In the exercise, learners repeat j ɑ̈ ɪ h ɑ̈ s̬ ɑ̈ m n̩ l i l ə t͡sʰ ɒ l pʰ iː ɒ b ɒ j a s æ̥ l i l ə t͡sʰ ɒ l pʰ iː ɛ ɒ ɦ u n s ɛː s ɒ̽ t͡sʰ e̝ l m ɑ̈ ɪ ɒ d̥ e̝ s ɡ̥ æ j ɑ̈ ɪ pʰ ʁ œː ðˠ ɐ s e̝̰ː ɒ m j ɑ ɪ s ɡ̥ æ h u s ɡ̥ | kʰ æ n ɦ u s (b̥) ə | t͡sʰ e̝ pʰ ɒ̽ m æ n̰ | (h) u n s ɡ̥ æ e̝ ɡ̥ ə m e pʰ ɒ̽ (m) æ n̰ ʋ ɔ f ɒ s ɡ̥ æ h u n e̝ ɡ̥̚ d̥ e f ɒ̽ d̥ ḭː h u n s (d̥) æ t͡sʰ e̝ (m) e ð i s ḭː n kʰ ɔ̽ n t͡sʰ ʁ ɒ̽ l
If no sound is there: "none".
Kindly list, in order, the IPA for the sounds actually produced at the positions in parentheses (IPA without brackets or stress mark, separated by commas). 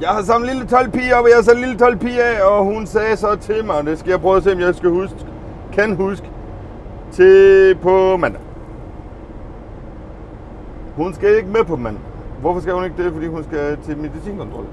ɡ̥, h, m, ɡ̥, m